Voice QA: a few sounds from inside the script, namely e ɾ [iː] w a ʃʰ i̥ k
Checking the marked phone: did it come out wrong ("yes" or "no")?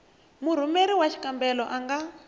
yes